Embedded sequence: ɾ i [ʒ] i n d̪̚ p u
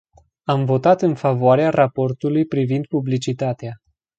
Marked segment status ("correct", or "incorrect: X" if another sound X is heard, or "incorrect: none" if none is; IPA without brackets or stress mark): incorrect: v